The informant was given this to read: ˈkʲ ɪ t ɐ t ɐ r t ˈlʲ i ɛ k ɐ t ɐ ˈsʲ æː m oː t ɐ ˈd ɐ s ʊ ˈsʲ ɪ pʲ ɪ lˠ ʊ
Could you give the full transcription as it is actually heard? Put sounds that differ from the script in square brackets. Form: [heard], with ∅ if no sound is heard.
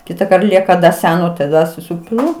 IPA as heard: ˈkʲ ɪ t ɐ [k] ɐ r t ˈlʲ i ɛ k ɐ [d] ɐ ˈsʲ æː [n] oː t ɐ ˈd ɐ s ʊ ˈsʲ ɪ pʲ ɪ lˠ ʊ